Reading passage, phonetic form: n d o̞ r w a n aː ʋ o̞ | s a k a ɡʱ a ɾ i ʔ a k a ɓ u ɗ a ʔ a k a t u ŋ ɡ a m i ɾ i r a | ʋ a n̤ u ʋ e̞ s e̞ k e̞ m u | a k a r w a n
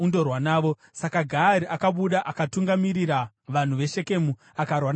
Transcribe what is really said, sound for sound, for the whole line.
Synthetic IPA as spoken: n d o̞ r w a n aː ʋ o̞ | s a k a ɡʱ a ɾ i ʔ a k a ɓ u ɗ a ʔ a k a t u ŋ ɡ a m i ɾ i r a | ʋ a n̤ u ʋ e̞ ʃ e̞ k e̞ m u | a k a r w a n

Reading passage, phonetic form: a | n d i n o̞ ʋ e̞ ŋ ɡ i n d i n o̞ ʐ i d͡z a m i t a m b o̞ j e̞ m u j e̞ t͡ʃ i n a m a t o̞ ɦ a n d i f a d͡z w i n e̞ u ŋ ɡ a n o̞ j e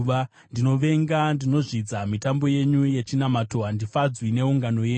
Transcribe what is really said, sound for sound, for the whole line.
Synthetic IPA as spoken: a | n d i n o̞ ʋ e̞ ŋ ɡ a n d i n o̞ ʐ i d͡z a m i t a m b o̞ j e̞ ɲ u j e̞ t͡ʃ i n a m a t o̞ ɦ a n d i f a d͡z w i n e̞ u ŋ ɡ a n o̞ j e

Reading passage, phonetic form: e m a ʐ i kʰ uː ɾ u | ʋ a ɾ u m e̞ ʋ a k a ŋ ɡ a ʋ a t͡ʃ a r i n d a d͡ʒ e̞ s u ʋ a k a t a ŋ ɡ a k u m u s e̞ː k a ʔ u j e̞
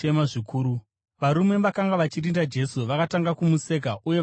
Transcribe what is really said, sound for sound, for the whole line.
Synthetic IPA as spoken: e m a ʐ i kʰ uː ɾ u | ʋ a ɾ u m e̞ ʋ a k a ŋ ɡ a ʋ a t͡ʃ i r i n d a d͡ʒ e̞ s u ʋ a k a t a ŋ ɡ a k u m u s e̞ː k a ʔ u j e̞

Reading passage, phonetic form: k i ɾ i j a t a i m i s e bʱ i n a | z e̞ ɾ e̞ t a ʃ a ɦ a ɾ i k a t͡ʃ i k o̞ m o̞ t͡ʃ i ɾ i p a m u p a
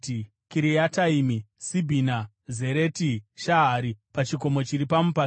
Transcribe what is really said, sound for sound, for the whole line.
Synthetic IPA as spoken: k i ɾ i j a t a i m i s i bʱ i n a | z e̞ ɾ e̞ t i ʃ a ɦ a ɾ i p a t͡ʃ i k o̞ m o̞ t͡ʃ i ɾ i p a m u p a

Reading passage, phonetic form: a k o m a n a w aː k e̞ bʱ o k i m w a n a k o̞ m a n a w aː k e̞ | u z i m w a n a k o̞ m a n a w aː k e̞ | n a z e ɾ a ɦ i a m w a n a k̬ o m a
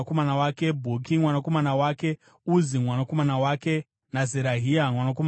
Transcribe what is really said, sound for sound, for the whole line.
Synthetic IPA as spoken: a k o m a n a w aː k e̞ bʱ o k i m w a n a k o̞ m a n a w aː k e̞ | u z i m w a n a k o̞ m a n a w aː k e̞ | n a z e ɾ a ɦ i a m w a n a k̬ o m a

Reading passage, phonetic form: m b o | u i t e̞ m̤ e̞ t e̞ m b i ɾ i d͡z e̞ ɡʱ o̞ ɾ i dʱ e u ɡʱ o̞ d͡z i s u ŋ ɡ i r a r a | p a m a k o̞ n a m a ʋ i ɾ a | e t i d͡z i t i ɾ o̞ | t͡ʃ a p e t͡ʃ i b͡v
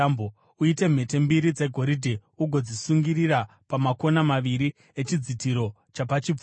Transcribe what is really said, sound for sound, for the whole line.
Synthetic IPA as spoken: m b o | u i t e̞ m̤ e̞ t e̞ m b i ɾ i d͡z e̞ ɡʱ o̞ ɾ i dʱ e u ɡʱ o̞ d͡z i s u ŋ ɡ i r i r a | p a m a k o̞ n a m a ʋ i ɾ i | e t͡ʃ i d͡z i t i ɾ o̞ | t͡ʃ a p a t͡ʃ i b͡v

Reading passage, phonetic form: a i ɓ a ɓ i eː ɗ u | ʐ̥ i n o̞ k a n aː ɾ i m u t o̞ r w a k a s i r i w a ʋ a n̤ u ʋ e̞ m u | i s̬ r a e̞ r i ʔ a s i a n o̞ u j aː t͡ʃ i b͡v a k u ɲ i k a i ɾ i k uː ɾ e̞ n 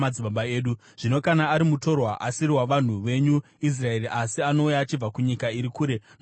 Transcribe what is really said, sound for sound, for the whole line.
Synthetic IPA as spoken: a i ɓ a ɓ a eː ɗ u | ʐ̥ i n o̞ k a n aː ɾ i m u t o̞ r w a ʔ a s i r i w a ʋ a n̤ u ʋ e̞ ɲ u | i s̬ r a e̞ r i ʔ a s i a n o̞ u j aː t͡ʃ i b͡v a k u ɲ i k a i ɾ i k uː ɾ e̞ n

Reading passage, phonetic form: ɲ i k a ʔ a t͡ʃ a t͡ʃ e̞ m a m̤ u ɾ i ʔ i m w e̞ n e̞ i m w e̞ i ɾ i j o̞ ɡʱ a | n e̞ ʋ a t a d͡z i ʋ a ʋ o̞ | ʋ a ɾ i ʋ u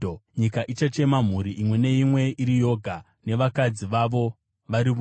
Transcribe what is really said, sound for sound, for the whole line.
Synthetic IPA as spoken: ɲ i k a ʔ i t͡ʃ a t͡ʃ e̞ m a m̤ u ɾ i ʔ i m w e̞ n e̞ i m w e̞ i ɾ i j o̞ ɡʱ a | n e̞ ʋ a k a d͡z i ʋ a ʋ o̞ | ʋ a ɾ i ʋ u

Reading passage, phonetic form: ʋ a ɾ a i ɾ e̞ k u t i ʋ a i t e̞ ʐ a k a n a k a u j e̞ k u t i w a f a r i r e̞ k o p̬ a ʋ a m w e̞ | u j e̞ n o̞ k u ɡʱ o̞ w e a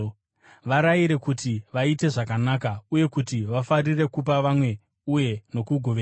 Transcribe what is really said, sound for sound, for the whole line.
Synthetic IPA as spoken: ʋ a ɾ a i ɾ e̞ k u t i ʋ a i t e̞ ʐ a k a n a k a u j e̞ k u t i ʋ a f a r i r e̞ k u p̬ a ʋ a m w e̞ | u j e̞ n o̞ k u ɡʱ o̞ ʋ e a

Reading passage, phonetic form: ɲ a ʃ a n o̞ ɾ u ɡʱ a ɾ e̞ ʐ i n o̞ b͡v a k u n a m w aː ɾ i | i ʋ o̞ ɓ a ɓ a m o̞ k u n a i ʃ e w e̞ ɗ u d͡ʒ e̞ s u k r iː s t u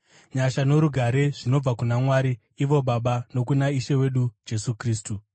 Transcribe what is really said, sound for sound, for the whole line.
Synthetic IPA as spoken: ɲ a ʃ a n o̞ ɾ u ɡʱ a ɾ e̞ ʐ i n o̞ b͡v a k u n a m w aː ɾ i | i ʋ o̞ ɓ a ɓ a n o̞ k u n a i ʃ e w e̞ ɗ u d͡ʒ e̞ s u k r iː s t u

